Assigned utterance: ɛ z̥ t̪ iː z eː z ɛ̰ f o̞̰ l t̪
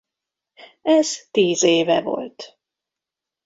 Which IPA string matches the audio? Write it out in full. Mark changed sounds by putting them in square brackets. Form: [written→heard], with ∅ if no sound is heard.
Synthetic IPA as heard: ɛ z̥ t̪ iː z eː [z→v] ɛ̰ [f→v] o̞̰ l t̪